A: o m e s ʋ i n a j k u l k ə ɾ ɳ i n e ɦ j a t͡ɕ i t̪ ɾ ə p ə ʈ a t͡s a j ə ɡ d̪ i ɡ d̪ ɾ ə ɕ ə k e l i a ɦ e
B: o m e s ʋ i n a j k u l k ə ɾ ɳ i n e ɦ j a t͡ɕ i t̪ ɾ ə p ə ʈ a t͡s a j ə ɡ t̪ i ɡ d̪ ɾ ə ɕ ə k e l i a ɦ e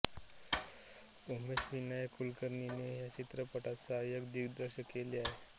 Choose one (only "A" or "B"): A